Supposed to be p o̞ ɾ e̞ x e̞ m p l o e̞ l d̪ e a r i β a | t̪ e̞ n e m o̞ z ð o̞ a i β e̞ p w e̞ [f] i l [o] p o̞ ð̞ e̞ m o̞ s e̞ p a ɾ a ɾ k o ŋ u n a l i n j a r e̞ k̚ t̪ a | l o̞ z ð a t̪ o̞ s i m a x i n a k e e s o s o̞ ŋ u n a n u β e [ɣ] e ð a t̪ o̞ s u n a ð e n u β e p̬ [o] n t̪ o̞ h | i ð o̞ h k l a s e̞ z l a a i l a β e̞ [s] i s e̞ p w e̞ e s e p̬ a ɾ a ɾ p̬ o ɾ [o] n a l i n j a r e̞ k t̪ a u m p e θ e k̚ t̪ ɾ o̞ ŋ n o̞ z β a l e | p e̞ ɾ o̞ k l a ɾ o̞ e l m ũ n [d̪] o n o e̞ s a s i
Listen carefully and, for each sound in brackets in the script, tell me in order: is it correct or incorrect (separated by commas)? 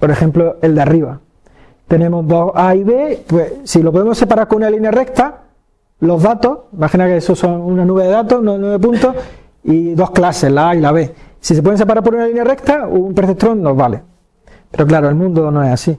incorrect, correct, incorrect, incorrect, correct, incorrect, correct